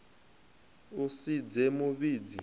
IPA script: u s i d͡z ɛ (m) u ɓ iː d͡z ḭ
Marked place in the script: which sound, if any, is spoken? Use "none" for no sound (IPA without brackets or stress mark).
m